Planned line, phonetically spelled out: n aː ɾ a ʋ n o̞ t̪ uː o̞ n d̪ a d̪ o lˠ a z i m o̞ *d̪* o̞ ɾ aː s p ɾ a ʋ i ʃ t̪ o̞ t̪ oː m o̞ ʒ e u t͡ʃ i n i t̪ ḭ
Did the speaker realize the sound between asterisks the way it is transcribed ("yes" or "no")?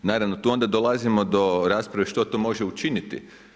yes